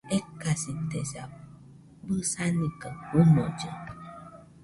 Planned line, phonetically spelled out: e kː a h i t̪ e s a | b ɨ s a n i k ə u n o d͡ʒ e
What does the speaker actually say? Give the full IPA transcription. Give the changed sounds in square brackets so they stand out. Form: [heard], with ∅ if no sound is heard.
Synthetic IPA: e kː a [s] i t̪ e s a | b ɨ s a n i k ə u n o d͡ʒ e